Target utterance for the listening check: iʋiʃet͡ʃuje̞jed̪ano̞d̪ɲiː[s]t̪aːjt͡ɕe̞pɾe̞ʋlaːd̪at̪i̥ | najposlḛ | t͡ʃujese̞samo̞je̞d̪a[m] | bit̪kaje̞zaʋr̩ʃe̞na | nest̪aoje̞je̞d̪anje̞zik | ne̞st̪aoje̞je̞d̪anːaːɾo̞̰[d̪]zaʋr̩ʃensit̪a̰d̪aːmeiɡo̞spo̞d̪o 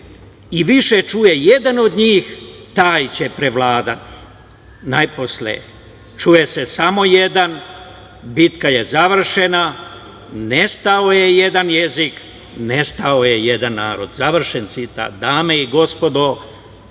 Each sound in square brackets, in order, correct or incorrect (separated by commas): incorrect, incorrect, correct